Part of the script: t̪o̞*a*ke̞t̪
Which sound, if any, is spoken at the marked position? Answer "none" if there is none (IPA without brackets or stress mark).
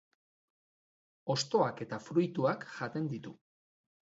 a